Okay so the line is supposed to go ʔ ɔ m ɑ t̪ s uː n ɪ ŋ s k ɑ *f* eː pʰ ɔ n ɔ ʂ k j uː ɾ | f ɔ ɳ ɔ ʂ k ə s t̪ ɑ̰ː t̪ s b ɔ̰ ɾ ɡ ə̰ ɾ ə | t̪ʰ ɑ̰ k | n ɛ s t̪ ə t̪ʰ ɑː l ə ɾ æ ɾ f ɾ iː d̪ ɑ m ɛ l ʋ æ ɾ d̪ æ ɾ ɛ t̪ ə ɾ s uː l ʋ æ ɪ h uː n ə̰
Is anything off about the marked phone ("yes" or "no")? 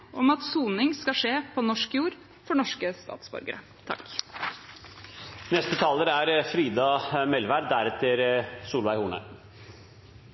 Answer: yes